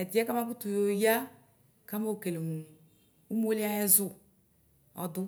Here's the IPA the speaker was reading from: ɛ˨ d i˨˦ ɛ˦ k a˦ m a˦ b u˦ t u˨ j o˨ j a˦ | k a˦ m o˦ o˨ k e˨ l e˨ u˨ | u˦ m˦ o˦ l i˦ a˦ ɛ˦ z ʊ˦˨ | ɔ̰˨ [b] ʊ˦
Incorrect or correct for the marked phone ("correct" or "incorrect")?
incorrect